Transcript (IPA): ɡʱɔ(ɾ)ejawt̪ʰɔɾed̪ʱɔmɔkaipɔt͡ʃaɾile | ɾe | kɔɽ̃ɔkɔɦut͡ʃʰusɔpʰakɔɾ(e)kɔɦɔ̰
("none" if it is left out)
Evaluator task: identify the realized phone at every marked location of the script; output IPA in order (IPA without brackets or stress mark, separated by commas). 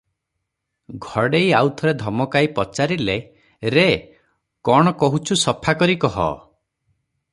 ɽ, i